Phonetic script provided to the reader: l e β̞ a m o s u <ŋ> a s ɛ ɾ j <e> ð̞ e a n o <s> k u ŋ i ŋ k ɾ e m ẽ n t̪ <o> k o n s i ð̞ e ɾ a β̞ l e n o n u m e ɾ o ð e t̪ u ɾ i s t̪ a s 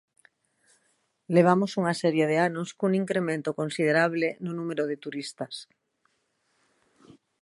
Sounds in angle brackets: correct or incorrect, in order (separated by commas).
correct, correct, correct, correct